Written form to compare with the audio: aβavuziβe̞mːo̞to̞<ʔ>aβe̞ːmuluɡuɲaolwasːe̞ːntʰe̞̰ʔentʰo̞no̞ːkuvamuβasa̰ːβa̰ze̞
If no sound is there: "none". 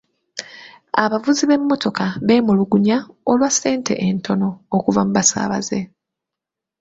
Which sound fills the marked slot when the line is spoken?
k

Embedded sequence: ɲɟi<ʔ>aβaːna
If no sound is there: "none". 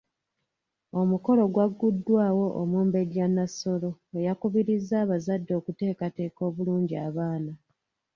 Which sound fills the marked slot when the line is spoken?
none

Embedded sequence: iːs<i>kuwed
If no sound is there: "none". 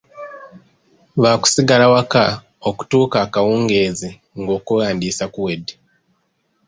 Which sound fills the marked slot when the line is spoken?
a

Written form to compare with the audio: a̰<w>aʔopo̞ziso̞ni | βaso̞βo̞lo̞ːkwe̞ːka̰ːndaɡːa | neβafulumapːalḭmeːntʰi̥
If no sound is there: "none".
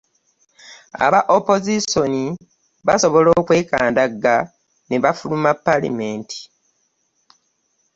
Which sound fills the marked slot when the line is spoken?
β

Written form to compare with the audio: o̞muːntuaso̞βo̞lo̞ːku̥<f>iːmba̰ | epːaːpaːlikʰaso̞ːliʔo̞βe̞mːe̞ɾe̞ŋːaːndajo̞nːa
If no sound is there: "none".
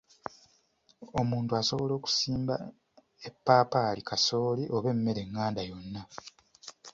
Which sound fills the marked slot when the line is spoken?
s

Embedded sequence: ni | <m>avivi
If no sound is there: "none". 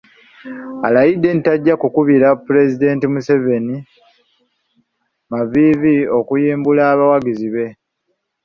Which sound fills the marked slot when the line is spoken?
m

